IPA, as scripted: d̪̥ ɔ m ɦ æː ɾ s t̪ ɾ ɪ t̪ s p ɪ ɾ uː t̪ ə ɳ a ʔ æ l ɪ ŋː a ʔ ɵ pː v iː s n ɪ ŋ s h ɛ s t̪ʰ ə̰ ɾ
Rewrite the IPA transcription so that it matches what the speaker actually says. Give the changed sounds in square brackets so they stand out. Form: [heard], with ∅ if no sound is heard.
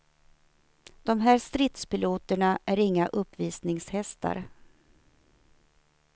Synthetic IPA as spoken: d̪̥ ɔ m ɦ æː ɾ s t̪ ɾ ɪ t̪ s p ɪ [l] uː t̪ ə ɳ a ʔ æ [ɾ] ɪ ŋː a ʔ ɵ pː v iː s n ɪ ŋ s h ɛ s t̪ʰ [a̰] ɾ